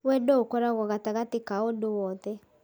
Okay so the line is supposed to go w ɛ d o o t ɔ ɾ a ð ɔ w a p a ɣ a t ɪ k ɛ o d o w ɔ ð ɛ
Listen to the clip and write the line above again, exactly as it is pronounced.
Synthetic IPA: w ɛ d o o k ɔ ɾ a ɣ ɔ ɣ a t a ɣ a t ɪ k a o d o w ɔ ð ɛ